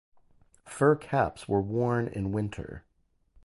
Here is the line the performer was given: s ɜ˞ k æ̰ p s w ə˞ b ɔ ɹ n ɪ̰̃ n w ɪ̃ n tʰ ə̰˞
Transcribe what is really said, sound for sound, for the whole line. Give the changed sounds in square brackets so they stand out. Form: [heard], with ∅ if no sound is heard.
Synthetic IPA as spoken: [f] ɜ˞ [kʰ] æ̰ p s w ə˞ [w] ɔ ɹ n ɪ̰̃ n w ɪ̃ n tʰ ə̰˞